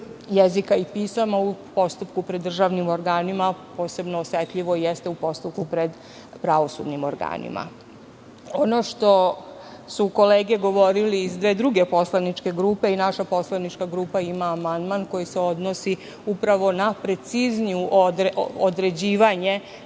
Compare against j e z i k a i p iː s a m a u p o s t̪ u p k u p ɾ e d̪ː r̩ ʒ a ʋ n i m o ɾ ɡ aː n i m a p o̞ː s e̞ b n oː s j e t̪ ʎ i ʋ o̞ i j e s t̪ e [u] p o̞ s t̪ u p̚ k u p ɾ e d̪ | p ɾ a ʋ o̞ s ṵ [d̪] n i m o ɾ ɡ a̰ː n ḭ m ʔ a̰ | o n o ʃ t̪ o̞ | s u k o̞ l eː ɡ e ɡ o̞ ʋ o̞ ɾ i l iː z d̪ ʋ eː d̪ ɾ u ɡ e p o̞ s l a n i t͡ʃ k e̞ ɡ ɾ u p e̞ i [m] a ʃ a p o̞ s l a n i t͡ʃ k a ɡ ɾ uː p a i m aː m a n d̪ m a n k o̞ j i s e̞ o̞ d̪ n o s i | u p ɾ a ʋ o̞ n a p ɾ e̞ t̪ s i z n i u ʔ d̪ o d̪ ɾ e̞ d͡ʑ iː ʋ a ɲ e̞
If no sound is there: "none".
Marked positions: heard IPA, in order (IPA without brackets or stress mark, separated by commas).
u, d̪, n